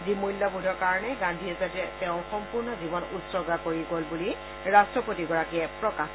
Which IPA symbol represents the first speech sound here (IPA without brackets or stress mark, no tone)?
z